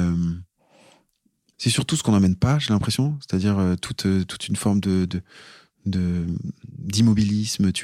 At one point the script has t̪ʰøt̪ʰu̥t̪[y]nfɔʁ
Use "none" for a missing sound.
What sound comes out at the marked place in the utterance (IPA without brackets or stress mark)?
y